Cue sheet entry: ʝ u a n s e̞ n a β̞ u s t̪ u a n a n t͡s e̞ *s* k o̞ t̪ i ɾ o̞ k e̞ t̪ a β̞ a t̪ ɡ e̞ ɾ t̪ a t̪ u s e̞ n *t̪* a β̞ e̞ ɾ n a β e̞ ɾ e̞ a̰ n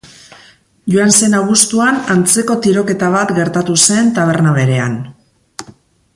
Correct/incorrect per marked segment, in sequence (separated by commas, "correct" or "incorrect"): incorrect, correct